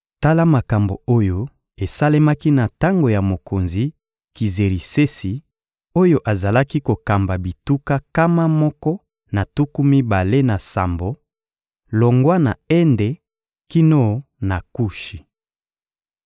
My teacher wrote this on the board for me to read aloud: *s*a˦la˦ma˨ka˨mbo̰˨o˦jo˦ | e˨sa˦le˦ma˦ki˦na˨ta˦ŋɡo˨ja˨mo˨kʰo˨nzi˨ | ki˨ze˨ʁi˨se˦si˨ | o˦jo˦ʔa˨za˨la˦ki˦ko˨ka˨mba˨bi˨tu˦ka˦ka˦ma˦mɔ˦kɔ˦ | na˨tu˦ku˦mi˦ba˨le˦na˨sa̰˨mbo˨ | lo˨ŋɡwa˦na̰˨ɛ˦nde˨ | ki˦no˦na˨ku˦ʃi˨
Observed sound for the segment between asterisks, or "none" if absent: t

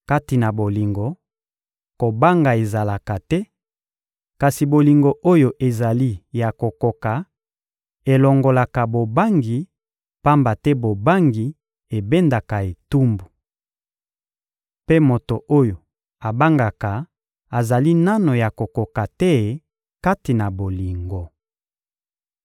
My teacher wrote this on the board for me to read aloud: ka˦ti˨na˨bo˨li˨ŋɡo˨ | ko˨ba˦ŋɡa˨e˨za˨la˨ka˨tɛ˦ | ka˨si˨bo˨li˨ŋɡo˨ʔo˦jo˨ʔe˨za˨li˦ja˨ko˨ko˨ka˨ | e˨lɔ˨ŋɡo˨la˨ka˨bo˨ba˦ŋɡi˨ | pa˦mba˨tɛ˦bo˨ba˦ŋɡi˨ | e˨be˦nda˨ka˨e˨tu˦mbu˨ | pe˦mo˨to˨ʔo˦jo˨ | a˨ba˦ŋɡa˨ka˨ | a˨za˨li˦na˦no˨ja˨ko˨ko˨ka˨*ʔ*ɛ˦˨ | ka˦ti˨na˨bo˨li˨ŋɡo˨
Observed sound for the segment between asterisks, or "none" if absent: t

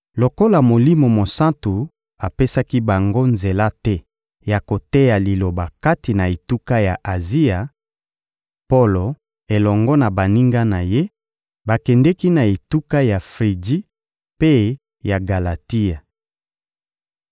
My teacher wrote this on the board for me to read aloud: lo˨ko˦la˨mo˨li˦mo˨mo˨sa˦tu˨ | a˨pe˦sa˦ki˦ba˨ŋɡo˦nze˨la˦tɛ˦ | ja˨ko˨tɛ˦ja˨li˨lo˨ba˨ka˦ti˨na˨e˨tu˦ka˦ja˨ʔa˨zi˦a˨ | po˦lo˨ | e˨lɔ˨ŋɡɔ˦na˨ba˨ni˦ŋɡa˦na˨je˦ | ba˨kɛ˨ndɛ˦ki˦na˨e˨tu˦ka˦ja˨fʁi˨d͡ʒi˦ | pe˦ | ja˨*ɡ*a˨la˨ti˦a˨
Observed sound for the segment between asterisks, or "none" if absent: ɡ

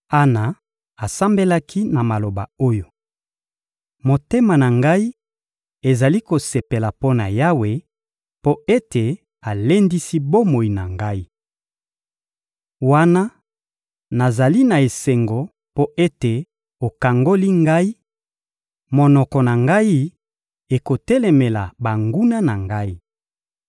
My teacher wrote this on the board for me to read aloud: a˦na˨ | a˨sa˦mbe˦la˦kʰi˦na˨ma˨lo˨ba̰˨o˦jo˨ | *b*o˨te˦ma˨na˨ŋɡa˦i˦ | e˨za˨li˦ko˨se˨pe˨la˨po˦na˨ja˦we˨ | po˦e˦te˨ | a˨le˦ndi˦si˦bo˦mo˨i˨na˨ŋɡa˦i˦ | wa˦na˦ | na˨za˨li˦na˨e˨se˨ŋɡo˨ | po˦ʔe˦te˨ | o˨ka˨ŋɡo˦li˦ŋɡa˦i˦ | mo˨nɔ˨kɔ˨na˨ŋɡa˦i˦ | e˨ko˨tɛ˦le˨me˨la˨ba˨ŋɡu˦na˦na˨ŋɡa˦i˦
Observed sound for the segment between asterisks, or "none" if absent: m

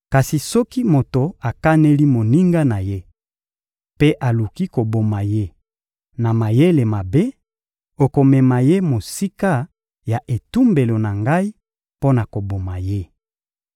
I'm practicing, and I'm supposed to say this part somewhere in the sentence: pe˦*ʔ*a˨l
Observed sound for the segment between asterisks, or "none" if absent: ʔ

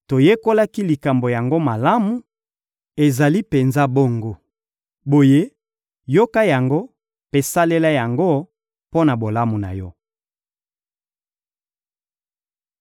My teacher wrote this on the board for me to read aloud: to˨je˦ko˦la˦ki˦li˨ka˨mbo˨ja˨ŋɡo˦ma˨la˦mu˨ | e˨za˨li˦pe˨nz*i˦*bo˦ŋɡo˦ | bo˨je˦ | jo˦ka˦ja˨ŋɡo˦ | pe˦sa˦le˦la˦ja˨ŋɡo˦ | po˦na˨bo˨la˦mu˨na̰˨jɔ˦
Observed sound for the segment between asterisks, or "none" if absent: a˦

